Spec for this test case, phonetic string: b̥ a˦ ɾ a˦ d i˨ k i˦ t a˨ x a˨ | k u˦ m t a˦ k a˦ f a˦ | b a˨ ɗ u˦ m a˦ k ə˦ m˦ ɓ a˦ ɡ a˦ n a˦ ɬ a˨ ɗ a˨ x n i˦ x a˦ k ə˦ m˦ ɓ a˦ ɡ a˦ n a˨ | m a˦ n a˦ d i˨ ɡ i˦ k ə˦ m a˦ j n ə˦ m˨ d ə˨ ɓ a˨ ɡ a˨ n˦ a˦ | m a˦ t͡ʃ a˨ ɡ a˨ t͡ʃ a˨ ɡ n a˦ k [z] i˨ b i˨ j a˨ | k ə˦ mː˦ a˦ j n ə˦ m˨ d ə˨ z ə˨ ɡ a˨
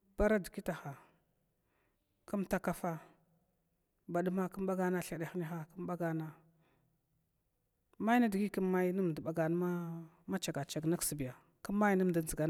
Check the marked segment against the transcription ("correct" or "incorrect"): incorrect